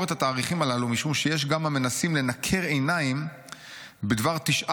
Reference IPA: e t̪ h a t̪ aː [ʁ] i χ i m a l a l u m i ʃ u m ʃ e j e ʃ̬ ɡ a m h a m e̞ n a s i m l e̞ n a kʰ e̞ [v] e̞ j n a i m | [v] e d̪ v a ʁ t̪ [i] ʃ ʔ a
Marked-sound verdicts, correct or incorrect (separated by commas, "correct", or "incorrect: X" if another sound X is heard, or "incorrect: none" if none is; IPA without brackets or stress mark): correct, incorrect: ʁ, incorrect: b, correct